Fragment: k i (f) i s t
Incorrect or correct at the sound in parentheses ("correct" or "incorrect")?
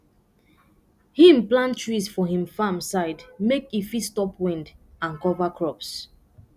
correct